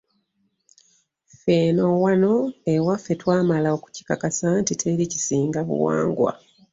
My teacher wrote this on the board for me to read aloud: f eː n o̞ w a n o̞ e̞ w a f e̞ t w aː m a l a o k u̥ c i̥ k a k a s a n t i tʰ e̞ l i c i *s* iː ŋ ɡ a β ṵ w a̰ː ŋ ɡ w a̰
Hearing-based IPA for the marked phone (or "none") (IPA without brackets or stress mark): s